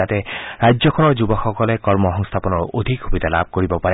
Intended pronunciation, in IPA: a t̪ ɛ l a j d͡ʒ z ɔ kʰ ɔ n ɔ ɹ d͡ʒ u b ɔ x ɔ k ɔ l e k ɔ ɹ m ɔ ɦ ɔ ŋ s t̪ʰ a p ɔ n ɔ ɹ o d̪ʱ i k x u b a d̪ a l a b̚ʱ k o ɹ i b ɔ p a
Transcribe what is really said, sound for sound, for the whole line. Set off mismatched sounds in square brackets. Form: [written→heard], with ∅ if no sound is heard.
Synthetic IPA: a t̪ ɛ [l→ɹ] a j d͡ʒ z ɔ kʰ ɔ n ɔ ɹ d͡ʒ u b ɔ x ɔ k ɔ l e k ɔ ɹ m ɔ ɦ ɔ ŋ s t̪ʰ a p ɔ n ɔ ɹ o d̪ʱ i k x u b [a→i] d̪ a l a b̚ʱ k o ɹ i b ɔ p a